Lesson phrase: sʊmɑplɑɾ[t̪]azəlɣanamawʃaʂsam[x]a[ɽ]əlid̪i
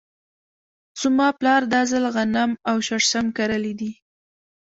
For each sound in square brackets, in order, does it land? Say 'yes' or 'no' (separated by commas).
no, no, no